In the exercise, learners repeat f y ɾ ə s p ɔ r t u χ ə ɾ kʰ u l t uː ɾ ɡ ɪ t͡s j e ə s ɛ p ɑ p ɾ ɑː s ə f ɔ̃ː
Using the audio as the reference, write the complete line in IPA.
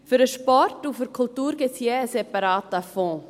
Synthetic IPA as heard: f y ɾ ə ʃ p ɔ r t u f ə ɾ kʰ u l t uː ɾ ɡ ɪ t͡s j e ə s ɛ p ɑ ɾ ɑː t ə f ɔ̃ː